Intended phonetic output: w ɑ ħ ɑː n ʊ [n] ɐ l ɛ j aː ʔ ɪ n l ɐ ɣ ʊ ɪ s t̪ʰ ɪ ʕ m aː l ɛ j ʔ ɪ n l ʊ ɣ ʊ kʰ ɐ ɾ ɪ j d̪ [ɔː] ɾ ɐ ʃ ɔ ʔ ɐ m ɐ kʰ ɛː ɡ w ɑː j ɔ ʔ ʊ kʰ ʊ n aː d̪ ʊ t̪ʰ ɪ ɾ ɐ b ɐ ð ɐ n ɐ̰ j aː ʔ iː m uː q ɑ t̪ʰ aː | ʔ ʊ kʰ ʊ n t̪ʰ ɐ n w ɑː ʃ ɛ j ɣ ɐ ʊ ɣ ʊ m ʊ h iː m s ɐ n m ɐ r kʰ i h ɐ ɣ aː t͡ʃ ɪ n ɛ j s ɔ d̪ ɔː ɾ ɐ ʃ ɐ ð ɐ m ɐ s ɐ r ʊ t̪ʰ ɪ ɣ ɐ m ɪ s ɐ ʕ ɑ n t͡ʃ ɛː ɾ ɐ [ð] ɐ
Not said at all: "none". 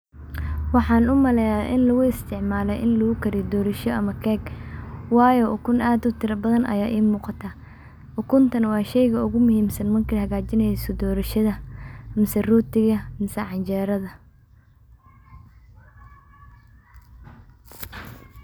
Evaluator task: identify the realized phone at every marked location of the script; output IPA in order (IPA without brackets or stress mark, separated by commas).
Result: m, ɔː, ð